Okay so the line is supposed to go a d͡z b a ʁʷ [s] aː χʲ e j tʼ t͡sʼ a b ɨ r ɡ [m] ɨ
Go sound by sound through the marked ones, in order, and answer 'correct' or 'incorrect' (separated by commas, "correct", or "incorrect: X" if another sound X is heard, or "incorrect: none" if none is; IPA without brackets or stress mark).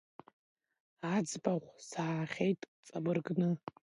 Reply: correct, incorrect: n